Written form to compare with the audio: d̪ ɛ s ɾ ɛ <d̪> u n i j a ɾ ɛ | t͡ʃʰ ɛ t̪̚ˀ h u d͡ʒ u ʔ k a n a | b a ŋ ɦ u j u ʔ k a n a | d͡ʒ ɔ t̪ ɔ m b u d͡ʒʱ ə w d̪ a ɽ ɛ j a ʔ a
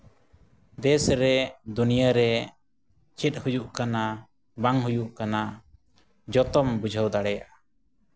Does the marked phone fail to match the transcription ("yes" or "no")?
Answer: no